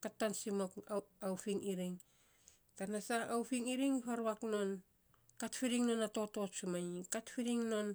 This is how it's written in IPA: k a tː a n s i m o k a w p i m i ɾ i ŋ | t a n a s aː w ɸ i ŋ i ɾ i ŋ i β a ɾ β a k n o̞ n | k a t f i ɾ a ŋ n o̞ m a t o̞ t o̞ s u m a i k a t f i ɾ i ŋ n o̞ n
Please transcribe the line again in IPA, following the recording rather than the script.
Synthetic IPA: k a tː a n s i m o k a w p i ŋ i ɾ i ŋ | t a n a s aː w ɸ i ŋ i ɾ i ŋ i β a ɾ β a k n o̞ n | k a t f i ɾ i ŋ n o̞ n a t o̞ t o̞ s u m a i k a t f i ɾ i ŋ n o̞ n